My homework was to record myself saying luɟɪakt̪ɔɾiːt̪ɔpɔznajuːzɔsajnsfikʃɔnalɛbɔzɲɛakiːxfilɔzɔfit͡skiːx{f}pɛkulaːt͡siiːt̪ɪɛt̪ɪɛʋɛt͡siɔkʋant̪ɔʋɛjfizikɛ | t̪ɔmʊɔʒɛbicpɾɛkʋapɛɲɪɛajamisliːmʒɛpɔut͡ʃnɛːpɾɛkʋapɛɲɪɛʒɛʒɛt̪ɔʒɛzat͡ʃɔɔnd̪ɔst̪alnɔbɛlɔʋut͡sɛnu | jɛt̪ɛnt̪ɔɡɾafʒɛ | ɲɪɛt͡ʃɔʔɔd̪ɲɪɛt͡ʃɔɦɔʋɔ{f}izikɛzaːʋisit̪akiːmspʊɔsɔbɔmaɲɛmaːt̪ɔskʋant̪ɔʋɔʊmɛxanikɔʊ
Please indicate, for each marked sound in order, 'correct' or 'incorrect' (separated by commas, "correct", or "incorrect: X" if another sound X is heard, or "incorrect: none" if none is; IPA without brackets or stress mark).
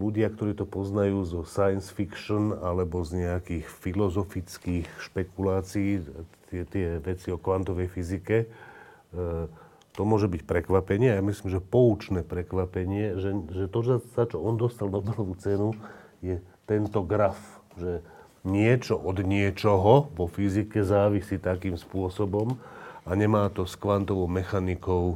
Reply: incorrect: ʃ, correct